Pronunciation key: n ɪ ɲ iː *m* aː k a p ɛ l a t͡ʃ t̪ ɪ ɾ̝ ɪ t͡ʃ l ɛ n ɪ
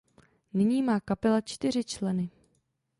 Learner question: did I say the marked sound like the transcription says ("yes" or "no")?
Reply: yes